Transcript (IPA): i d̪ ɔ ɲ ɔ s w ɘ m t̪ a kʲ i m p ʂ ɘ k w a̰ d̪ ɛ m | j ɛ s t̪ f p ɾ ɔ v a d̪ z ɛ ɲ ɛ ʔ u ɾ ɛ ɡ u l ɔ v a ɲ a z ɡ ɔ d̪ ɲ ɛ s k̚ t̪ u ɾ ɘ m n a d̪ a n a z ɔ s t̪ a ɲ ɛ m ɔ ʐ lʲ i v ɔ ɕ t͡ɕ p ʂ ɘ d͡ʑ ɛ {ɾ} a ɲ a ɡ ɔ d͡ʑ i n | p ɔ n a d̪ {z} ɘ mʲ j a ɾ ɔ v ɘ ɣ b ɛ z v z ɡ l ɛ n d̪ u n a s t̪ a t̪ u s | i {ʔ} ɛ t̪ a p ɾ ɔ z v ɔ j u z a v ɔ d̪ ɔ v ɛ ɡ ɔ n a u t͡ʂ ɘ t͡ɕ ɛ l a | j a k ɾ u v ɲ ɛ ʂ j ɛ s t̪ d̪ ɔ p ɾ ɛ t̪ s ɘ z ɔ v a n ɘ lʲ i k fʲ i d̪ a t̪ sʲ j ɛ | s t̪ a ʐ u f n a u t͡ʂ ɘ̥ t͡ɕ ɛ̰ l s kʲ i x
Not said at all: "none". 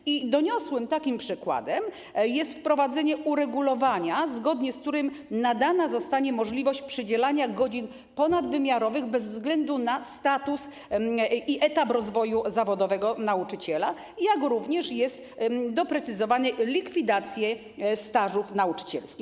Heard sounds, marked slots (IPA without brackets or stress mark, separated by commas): l, v, ʔ